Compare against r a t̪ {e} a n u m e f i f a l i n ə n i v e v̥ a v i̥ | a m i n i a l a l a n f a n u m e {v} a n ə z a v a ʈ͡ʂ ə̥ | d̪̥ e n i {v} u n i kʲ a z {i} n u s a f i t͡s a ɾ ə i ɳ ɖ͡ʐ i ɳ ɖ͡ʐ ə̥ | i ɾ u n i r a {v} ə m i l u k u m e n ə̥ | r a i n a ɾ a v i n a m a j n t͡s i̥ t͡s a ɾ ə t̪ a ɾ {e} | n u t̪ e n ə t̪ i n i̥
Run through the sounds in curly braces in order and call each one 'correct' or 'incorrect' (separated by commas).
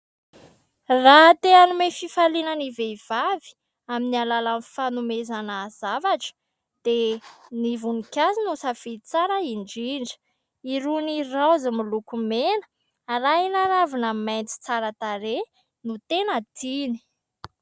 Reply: correct, incorrect, correct, correct, incorrect, correct